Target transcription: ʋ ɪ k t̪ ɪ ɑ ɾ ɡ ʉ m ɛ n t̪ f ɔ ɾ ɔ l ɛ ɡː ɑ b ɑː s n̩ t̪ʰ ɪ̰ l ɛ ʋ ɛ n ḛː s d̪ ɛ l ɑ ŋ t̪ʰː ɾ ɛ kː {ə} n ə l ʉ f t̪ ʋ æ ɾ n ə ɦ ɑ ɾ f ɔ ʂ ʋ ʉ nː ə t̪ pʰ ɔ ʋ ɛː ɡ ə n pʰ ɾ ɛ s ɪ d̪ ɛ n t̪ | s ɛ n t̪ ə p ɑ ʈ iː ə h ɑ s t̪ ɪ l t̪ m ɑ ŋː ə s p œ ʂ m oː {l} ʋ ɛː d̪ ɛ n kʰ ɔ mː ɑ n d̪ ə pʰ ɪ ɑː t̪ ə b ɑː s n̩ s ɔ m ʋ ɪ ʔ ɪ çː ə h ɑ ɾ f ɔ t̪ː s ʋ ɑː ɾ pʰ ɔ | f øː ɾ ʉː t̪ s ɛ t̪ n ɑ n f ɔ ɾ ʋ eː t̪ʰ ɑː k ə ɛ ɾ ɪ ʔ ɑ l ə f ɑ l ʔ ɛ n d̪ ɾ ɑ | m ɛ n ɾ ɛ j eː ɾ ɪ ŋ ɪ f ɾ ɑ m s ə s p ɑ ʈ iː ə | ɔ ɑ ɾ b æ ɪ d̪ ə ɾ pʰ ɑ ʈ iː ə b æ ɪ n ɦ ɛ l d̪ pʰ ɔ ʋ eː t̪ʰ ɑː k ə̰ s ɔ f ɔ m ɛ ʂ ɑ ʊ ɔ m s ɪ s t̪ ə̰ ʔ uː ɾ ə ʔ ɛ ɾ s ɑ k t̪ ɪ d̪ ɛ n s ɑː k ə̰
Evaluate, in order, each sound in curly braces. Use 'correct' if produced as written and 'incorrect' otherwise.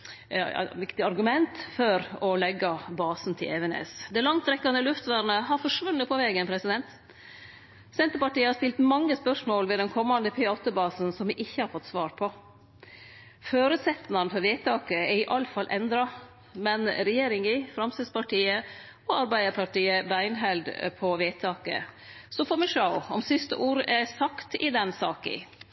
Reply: incorrect, correct

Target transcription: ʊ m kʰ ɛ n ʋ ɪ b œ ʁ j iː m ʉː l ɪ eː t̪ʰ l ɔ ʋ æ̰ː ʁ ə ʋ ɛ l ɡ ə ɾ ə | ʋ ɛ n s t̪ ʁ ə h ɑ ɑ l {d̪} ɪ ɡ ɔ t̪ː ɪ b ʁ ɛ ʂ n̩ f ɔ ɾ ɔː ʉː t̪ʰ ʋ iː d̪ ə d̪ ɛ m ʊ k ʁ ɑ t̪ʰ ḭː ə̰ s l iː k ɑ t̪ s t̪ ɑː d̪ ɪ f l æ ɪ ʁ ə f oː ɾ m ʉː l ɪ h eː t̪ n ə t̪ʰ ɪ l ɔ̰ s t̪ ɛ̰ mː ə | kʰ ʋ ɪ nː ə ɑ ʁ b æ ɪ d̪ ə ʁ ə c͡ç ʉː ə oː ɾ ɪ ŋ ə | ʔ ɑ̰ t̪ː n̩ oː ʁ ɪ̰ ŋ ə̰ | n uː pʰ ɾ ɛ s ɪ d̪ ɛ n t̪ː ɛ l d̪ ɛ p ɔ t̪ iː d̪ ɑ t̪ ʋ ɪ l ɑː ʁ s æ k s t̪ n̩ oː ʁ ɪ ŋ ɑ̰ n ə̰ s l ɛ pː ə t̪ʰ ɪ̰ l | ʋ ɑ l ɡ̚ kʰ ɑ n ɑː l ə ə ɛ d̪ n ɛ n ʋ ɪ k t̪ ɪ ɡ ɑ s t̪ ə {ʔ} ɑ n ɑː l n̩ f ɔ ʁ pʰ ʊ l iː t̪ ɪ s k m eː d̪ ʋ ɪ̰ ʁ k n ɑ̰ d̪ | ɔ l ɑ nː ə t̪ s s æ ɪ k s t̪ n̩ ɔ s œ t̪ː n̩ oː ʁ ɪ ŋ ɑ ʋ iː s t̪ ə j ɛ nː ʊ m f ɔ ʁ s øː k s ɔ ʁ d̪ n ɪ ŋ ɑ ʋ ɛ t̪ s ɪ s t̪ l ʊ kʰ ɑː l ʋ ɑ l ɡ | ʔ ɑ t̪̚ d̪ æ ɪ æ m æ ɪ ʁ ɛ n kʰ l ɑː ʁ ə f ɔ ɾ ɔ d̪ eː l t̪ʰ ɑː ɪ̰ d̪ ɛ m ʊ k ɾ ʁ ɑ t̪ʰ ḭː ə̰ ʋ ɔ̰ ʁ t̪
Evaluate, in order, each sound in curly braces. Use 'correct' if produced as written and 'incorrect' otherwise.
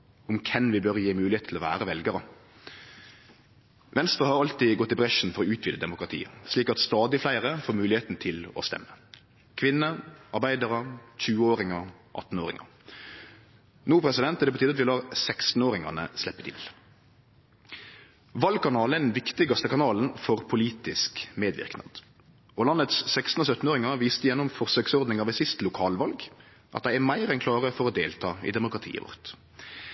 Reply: incorrect, incorrect

